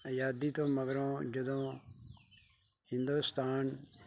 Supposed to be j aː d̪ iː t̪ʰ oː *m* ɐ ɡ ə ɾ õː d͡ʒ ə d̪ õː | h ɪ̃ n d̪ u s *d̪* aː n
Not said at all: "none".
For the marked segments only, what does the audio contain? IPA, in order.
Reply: m, t̪

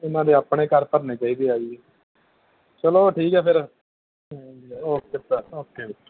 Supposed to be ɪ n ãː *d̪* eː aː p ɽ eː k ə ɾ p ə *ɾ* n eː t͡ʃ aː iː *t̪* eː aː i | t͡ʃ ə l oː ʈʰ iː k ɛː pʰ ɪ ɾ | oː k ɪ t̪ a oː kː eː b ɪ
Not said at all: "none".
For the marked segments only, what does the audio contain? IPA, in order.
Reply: d̪, ɾ, d̪

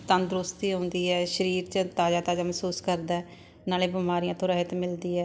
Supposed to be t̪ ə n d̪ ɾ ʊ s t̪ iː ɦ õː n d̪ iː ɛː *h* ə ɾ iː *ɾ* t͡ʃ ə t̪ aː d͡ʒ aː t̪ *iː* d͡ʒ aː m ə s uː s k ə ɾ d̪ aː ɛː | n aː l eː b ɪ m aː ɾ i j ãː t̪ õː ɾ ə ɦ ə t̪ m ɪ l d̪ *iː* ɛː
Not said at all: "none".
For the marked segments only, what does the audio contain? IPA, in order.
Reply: ʃ, ɾ, aː, iː

